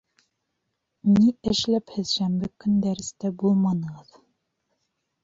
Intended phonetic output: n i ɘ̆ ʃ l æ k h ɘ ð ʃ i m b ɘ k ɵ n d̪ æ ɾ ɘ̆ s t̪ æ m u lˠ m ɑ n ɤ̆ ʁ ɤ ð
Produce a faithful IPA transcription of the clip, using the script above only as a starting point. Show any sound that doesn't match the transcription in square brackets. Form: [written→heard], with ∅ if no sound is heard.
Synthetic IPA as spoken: n i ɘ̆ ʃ l æ [k→p] h ɘ ð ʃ [i→æ] m b ɘ k ɵ n d̪ æ ɾ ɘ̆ s t̪ æ [m→b] u lˠ m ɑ n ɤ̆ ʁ ɤ ð